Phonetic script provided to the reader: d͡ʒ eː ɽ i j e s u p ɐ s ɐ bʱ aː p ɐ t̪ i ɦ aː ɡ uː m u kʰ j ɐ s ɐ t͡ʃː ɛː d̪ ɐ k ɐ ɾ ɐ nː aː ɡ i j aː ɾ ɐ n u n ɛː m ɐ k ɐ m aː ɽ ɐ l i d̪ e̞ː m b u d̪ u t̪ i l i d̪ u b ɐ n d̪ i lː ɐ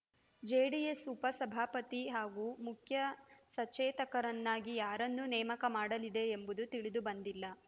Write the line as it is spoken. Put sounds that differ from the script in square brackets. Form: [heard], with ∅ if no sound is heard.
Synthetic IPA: d͡ʒ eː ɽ i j e s u p ɐ s ɐ bʱ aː p ɐ t̪ i ɦ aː ɡ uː m u kʰ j ɐ s ɐ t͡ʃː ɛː [t̪] ɐ k ɐ ɾ ɐ nː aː ɡ i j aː ɾ ɐ [nː] u n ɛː m ɐ k ɐ m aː ɽ ɐ l i d̪ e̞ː m b u d̪ u t̪ i [ɭ] i d̪ u b ɐ n d̪ i lː ɐ